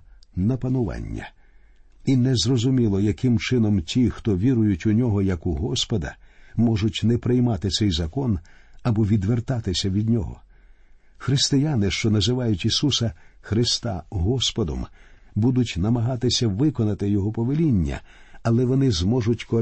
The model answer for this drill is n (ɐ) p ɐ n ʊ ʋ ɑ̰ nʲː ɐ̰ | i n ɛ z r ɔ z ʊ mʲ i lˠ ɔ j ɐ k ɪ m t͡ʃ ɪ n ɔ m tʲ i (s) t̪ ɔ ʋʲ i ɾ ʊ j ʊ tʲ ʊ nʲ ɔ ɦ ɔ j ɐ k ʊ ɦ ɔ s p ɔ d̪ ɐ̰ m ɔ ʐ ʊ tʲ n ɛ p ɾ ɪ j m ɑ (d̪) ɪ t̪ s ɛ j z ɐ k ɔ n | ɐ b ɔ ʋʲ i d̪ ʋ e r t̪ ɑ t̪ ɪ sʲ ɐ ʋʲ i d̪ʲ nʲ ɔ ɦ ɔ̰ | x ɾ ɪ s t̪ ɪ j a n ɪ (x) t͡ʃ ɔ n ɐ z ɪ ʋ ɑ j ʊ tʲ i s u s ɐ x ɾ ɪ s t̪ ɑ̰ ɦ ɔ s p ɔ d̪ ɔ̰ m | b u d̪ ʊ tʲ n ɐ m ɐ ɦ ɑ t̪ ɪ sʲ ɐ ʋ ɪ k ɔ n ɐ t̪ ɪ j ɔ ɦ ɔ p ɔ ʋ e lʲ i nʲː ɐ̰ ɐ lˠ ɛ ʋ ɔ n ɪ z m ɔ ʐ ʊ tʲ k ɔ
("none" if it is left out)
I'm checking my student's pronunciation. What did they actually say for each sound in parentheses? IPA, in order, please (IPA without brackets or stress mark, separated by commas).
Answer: ɐ, x, t̪, ʃ